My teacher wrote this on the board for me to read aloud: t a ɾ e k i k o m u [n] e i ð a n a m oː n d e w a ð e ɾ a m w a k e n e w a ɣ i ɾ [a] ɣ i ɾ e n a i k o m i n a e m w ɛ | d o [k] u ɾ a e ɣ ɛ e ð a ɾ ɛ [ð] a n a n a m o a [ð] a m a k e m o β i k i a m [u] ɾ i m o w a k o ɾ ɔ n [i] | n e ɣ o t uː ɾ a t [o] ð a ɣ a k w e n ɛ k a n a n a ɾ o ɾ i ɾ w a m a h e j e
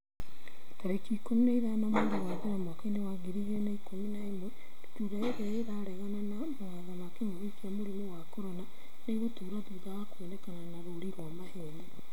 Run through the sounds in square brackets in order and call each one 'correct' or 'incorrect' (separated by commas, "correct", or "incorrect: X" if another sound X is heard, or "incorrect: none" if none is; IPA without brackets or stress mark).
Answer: correct, incorrect: i, incorrect: t, incorrect: ɣ, correct, incorrect: o, incorrect: a, incorrect: u